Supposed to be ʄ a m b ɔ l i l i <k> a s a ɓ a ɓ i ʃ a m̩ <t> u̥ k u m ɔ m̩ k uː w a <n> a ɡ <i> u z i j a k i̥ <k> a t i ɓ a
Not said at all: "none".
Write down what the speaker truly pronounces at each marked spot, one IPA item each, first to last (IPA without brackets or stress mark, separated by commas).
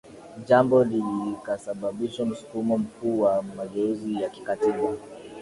k, s, m, ɛ, k